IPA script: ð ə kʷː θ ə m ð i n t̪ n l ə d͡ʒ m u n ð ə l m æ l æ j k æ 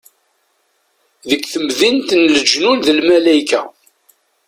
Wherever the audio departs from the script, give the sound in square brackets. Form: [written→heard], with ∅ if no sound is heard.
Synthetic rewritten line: ð ə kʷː θ ə m ð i n t̪ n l ə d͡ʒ [m→n] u n ð ə l m æ l æ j k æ